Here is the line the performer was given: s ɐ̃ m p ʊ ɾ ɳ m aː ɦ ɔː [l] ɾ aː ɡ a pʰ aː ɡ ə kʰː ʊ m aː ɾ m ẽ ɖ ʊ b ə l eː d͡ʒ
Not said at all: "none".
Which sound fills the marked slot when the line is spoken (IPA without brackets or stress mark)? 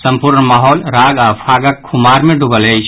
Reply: l